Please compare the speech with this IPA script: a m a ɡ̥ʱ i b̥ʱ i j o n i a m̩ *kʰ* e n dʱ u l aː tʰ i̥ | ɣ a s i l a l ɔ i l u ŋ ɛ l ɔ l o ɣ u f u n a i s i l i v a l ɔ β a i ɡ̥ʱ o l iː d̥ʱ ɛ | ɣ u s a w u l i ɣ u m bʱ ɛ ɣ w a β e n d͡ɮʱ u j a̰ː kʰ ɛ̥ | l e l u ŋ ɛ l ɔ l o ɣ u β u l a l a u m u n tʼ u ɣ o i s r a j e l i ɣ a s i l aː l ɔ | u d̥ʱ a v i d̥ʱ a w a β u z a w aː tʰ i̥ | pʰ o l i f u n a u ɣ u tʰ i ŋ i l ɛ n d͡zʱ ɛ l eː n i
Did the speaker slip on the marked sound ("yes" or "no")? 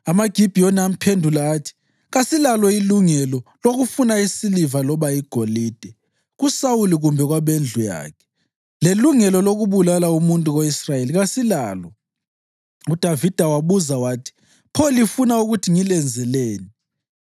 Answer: yes